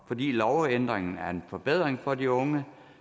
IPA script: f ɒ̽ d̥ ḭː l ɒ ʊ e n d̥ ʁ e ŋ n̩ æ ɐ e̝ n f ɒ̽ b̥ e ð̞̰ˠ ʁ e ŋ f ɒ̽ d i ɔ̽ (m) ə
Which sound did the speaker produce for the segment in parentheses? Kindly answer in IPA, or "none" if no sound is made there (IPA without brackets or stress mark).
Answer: ŋ